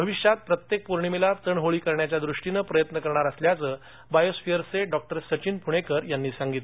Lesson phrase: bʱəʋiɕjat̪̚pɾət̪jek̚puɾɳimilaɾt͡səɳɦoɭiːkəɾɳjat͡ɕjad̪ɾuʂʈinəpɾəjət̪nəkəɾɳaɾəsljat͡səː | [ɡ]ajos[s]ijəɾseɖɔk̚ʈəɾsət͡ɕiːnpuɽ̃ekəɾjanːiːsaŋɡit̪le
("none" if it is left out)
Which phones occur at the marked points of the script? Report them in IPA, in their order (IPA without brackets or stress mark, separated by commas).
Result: b, f